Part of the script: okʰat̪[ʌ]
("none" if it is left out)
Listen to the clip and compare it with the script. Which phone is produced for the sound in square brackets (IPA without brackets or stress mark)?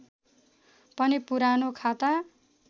a